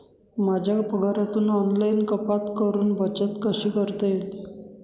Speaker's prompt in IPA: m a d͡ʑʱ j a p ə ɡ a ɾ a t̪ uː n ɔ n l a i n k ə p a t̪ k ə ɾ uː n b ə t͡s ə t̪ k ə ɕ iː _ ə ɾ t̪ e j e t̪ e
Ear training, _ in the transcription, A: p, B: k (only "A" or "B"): B